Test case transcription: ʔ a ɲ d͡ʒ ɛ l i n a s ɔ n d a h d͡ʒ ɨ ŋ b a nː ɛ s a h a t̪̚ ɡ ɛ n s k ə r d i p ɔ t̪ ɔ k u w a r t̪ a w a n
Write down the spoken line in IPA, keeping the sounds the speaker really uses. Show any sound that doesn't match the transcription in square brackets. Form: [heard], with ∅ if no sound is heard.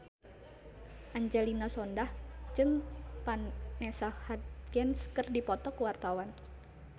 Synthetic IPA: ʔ a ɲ d͡ʒ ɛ l i n a s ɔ n d a h d͡ʒ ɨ ŋ [p] a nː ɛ s a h a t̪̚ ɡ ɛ n s k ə r d i p ɔ t̪ ɔ k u w a r t̪ a w a n